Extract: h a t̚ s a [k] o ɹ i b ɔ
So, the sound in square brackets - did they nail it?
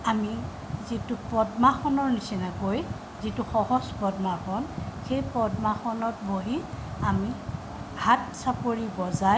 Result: no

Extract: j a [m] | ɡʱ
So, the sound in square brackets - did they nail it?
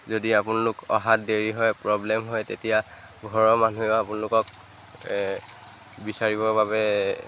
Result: no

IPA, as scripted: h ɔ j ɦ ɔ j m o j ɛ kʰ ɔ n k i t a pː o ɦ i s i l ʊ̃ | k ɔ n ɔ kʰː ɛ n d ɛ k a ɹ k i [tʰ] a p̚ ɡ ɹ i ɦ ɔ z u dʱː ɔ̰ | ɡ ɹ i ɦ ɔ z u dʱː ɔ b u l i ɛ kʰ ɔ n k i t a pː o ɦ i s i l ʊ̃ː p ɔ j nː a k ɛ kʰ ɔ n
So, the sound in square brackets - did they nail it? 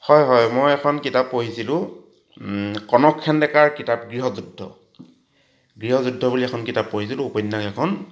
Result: no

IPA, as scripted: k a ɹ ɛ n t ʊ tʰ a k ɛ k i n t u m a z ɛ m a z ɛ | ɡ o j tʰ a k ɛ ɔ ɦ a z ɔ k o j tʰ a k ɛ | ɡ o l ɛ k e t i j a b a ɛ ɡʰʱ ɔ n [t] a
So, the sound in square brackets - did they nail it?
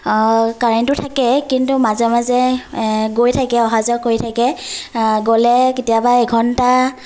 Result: yes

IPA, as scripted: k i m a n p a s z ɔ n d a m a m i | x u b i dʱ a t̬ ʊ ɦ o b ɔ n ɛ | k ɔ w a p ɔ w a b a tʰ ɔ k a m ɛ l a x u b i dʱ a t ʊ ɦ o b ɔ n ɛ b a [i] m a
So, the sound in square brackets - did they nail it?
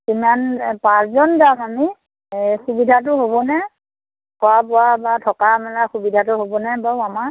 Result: no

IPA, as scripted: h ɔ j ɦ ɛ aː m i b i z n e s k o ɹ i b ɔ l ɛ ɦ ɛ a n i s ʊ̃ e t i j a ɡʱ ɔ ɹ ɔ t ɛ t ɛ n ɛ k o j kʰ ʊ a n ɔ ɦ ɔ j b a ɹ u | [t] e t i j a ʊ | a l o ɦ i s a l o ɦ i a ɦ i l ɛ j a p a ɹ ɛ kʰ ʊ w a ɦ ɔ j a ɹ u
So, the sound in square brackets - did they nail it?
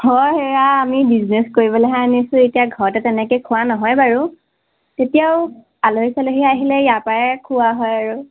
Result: yes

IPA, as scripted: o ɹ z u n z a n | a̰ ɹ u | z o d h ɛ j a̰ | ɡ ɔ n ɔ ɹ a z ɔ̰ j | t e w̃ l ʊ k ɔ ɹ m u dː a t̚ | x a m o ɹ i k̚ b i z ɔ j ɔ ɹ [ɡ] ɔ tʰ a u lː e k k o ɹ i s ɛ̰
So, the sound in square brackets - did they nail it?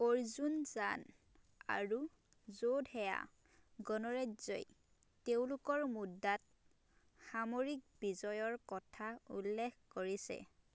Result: no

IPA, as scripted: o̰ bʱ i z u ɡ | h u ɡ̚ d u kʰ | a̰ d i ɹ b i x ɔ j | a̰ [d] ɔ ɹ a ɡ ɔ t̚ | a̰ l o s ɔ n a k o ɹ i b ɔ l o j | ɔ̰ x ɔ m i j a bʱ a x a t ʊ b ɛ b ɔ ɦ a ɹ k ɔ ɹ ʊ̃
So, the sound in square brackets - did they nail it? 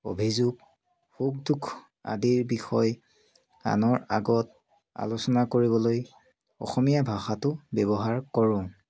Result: no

